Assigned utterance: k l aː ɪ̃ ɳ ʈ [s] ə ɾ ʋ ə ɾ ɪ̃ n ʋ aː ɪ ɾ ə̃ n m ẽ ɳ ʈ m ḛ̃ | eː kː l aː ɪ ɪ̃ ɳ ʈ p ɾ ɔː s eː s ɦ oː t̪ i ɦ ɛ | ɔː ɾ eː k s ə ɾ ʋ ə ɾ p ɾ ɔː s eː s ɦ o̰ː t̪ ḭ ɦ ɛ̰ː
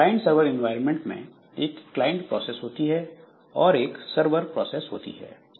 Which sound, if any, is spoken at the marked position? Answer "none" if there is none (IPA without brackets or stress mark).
s